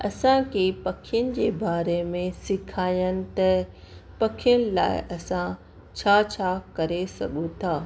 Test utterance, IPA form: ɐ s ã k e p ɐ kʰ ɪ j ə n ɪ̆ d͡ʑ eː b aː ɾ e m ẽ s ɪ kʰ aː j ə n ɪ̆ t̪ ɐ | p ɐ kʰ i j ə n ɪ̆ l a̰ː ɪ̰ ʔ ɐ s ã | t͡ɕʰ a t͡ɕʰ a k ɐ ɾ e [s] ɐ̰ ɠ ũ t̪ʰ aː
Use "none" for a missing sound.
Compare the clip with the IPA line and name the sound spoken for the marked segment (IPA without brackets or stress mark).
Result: s